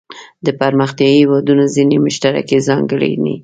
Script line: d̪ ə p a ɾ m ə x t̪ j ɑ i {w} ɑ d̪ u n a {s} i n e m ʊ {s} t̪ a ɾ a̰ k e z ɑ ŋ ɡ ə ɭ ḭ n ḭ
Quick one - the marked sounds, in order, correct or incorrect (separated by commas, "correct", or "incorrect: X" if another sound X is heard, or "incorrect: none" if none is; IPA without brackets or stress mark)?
correct, incorrect: z, incorrect: ʃ